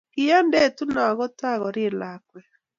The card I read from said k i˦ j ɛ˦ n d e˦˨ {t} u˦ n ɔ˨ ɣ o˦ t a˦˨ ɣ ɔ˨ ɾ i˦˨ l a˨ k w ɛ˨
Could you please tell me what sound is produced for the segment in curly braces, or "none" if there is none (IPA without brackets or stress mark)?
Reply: t